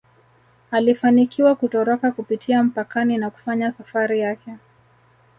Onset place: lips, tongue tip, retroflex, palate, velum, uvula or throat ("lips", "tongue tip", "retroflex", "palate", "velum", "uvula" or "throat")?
tongue tip